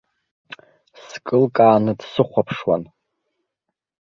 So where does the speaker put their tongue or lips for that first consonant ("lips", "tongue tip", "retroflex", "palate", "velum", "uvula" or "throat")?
tongue tip